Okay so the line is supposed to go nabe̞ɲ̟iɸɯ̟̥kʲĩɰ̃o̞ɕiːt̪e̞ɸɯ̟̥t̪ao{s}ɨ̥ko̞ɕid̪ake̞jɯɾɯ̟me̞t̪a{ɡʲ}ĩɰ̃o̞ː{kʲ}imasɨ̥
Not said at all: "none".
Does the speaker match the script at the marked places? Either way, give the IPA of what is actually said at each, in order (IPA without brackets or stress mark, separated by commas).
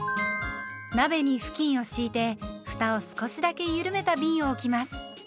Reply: s, bʲ, kʲ